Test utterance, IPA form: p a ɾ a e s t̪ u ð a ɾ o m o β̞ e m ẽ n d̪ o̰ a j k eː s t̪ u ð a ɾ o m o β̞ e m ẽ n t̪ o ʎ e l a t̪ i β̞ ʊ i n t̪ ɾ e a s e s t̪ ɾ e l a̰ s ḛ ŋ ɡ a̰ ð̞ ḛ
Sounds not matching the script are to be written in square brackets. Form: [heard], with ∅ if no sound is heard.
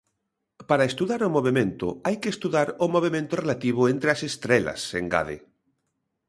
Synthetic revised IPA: p a ɾ a e s t̪ u ð a ɾ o m o β̞ e m ẽ n [t̪] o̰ a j k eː s t̪ u ð a ɾ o m o β̞ e m ẽ n t̪ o [r] e l a t̪ i β̞ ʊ [e] n t̪ ɾ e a s e s t̪ ɾ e l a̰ s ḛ ŋ ɡ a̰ ð̞ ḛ